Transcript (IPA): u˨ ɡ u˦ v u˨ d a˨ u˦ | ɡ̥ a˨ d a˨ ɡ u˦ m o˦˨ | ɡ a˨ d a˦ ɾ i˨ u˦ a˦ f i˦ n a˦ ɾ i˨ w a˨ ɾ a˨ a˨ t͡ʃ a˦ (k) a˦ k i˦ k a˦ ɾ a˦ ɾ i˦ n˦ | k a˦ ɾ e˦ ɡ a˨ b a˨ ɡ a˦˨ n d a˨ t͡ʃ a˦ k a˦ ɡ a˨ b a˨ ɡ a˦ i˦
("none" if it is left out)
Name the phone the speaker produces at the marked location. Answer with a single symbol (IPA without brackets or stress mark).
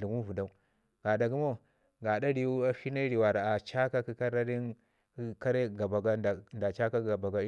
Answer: k